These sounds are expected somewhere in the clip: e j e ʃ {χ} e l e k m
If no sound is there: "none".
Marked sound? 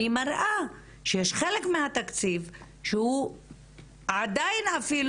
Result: χ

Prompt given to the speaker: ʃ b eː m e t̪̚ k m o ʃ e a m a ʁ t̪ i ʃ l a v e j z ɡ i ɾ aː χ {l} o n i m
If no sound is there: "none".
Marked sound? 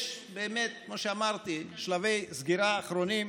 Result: ɾ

